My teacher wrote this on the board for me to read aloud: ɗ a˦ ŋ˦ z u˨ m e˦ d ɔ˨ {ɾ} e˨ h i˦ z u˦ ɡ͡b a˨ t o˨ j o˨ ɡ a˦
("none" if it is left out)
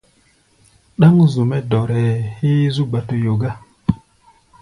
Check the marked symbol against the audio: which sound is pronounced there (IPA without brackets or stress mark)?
ɾ